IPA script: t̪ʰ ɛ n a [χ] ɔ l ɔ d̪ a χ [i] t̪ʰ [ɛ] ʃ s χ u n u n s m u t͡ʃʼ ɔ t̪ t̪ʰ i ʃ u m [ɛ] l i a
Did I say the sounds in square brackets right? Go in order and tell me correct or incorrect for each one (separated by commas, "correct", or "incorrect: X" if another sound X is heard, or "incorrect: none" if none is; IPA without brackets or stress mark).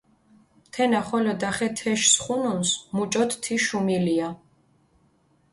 correct, incorrect: ɛ, correct, incorrect: i